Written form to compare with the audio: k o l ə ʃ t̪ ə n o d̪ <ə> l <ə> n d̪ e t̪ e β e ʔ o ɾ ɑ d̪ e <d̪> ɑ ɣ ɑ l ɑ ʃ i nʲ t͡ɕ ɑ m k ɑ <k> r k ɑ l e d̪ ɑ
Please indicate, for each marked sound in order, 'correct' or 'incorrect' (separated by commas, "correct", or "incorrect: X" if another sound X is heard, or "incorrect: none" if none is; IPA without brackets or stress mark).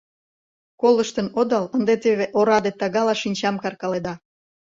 incorrect: ɑ, correct, incorrect: t̪, incorrect: none